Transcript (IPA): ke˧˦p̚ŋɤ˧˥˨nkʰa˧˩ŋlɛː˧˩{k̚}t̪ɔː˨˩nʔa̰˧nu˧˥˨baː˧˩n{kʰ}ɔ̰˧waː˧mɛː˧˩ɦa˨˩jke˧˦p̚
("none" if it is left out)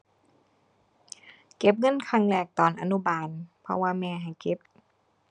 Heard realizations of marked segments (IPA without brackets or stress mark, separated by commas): k̚, pʰ